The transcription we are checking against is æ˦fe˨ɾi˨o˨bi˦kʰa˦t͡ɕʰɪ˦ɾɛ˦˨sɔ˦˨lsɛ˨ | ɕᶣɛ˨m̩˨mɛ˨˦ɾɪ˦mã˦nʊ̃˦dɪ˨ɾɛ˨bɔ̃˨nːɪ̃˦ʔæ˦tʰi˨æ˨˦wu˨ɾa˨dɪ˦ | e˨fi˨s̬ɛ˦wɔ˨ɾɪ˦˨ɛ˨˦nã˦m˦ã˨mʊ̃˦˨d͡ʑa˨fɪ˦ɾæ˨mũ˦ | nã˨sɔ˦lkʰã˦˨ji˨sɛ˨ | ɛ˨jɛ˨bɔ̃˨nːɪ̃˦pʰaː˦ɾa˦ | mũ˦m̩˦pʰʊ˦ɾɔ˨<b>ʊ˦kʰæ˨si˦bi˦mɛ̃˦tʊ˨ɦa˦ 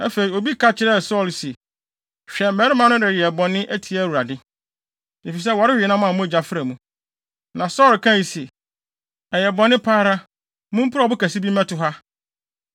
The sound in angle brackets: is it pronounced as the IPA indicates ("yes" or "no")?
yes